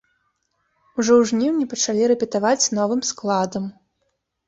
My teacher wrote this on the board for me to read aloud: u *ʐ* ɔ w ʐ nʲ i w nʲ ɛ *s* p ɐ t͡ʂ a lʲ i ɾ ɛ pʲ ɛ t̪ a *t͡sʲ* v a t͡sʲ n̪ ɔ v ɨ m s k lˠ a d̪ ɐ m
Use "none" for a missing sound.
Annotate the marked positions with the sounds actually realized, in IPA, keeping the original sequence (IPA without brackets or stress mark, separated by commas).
ʐ, none, none